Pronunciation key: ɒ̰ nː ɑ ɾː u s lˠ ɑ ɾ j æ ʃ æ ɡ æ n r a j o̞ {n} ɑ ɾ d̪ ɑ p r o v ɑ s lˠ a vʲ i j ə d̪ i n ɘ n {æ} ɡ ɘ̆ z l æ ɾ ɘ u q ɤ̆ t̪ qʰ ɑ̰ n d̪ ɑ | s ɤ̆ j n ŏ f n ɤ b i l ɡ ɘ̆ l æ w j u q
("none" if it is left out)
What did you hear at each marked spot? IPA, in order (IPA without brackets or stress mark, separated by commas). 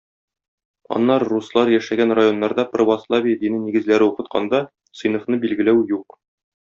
nː, i